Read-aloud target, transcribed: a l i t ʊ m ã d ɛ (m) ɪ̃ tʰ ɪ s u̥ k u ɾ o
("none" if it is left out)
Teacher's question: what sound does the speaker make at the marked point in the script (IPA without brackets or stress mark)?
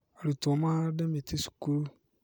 m